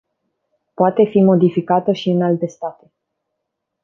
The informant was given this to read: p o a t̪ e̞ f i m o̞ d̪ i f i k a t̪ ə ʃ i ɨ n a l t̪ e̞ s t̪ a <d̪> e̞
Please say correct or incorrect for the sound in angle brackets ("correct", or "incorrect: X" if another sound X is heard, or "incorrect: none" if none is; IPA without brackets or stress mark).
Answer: incorrect: t̪